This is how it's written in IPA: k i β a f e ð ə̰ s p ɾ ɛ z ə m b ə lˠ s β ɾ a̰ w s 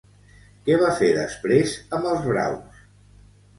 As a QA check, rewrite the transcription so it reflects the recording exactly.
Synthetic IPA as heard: k ɛ β a f e ð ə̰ s p ɾ e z ə m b ə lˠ z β ɾ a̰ w s